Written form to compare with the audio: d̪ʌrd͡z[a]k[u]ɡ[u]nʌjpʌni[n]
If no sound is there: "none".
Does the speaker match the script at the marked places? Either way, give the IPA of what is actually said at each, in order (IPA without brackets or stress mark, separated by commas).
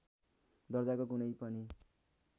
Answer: a, o, u, none